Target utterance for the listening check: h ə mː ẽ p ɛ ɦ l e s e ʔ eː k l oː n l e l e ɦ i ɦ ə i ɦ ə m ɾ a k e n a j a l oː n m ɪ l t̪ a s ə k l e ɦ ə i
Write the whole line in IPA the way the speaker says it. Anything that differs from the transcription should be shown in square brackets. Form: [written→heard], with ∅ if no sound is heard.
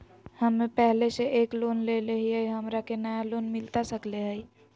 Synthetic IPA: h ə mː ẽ p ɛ ɦ l e s e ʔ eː k l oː n l e l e ɦ i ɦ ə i ɦ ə m ɾ a k e n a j a l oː n m ɪ l t̪ a s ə k l e ɦ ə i